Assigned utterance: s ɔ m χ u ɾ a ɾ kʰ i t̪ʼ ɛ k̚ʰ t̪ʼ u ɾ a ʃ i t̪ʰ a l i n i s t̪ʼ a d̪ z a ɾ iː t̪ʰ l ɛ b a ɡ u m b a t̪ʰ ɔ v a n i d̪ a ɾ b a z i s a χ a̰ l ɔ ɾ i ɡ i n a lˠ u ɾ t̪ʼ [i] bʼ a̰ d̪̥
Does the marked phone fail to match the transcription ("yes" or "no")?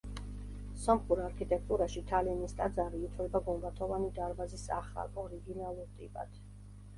no